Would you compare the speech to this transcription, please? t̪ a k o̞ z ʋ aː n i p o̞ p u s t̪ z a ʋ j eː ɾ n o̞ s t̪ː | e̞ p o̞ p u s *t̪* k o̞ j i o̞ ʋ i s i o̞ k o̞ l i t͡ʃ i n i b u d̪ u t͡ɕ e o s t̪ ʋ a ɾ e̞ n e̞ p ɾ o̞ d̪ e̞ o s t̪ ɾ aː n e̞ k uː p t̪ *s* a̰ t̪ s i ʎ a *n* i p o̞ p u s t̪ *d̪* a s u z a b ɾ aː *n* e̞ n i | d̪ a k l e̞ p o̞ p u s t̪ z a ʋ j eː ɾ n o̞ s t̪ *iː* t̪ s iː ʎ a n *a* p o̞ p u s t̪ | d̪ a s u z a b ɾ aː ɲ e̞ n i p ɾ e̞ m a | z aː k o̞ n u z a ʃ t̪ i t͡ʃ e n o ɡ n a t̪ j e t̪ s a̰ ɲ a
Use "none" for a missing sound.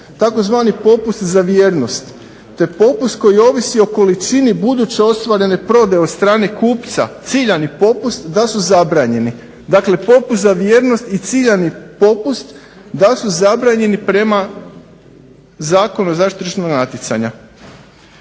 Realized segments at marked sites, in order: t̪, s, n, d̪, ɲ, i, i

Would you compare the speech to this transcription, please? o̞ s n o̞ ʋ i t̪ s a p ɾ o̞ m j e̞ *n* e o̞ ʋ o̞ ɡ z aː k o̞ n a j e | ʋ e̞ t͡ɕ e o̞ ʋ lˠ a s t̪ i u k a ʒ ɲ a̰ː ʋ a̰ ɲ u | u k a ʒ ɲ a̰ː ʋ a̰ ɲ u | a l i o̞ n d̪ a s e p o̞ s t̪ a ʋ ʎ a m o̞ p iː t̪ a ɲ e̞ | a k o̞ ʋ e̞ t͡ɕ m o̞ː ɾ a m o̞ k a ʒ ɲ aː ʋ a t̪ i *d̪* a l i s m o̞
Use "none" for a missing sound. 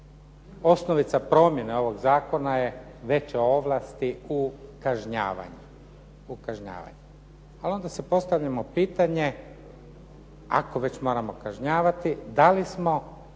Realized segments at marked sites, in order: n, d̪

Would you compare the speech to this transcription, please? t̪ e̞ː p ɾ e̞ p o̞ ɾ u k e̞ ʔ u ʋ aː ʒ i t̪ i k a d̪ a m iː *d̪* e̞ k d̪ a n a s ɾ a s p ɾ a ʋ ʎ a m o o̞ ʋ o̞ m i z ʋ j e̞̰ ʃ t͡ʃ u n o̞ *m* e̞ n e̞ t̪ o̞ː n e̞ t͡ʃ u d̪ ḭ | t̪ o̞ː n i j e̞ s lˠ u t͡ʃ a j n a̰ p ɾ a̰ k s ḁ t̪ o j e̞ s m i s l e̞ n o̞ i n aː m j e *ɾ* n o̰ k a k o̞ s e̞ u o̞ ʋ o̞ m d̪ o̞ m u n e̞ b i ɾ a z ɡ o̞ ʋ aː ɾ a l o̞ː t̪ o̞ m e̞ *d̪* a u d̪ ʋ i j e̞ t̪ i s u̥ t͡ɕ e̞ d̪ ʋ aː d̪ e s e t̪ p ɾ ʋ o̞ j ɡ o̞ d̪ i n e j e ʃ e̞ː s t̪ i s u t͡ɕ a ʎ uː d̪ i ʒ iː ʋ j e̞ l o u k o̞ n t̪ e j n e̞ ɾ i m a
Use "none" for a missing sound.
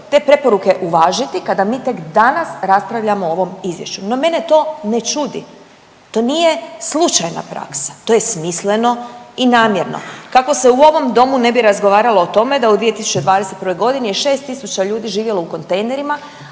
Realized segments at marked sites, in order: t̪, m, ɾ, d̪

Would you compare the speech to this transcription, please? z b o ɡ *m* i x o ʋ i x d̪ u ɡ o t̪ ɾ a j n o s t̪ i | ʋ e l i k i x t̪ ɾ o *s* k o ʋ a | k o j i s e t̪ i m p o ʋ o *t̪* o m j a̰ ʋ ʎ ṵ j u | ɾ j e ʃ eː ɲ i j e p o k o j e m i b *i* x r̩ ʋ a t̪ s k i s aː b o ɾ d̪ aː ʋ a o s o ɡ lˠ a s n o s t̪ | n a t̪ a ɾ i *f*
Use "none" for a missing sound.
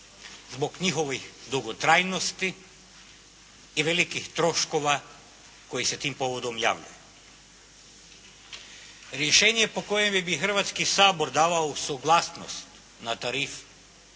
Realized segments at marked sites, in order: ɲ, ʃ, d̪, i, f

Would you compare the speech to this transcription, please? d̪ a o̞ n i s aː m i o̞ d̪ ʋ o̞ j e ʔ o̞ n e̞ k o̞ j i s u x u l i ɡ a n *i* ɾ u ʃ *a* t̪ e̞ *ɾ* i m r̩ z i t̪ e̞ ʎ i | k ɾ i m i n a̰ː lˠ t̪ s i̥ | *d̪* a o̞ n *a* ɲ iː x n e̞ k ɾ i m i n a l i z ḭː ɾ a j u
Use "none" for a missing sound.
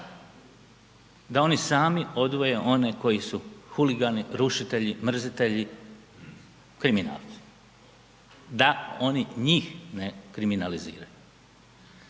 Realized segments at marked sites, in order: i, i, ʎ, d̪, i

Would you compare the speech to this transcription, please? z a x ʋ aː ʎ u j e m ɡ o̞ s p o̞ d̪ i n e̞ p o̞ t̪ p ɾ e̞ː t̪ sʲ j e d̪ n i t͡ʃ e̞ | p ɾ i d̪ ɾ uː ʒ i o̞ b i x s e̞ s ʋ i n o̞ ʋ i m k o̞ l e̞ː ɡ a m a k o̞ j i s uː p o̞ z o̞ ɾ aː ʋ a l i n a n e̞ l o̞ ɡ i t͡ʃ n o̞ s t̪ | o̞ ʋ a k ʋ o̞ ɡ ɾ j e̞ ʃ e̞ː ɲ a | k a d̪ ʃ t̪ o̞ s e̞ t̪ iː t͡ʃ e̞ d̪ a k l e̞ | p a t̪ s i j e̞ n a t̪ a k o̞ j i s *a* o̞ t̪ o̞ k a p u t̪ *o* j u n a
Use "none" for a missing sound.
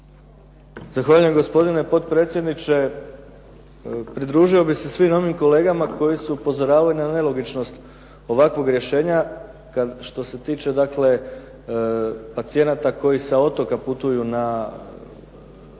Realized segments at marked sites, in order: a, u

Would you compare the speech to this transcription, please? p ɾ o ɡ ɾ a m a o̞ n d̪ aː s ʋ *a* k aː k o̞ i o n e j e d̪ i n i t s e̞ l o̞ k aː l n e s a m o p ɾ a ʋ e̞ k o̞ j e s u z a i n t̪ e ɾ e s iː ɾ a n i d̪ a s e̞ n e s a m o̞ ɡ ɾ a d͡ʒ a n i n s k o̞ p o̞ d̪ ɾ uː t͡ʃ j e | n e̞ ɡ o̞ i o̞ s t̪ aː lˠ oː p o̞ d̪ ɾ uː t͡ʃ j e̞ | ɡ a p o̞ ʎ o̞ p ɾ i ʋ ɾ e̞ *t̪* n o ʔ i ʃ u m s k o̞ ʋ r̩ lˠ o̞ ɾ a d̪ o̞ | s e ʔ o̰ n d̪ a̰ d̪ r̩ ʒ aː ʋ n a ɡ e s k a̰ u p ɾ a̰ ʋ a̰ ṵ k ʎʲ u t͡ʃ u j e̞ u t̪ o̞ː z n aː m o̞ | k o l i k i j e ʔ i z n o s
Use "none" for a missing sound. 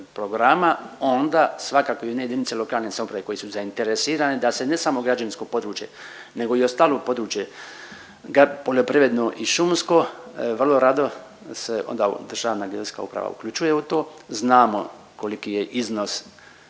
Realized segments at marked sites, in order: a, d̪

